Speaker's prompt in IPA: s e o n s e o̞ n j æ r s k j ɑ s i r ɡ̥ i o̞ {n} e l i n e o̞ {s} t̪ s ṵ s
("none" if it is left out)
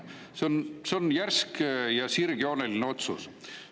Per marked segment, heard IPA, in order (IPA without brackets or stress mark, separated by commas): n, none